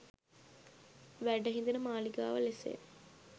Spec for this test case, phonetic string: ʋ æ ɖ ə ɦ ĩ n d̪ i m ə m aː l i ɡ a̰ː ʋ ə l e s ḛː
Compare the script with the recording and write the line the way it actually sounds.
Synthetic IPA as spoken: ʋ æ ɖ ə ɦ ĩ n d̪ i n ə m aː l i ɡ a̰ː ʋ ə l e s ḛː